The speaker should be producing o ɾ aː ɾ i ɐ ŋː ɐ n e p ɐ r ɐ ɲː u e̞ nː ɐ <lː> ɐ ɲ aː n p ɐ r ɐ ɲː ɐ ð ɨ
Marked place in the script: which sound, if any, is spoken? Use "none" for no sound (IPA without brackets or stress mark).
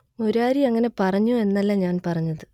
lː